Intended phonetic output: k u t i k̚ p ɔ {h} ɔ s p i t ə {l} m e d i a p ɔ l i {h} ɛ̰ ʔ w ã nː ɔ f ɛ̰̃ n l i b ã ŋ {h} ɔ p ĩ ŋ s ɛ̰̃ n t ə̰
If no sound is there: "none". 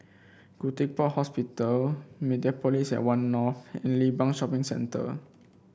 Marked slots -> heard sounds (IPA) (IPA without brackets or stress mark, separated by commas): h, l, s, ʃ